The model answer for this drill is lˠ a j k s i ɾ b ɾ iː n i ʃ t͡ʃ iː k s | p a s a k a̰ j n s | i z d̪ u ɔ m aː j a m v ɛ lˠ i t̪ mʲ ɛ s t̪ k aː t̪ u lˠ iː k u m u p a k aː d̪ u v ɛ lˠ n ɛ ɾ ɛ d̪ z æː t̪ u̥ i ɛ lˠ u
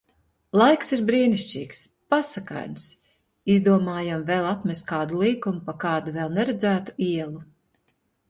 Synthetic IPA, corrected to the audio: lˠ a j k s i ɾ b ɾ iː n i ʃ t͡ʃ iː k s | p a s a k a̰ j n s | i z d̪ u ɔ m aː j a m v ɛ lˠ a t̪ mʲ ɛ s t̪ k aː d̪ u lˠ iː k u m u p a k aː d̪ u v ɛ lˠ n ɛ ɾ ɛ d̪ z æː t̪ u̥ i ɛ lˠ u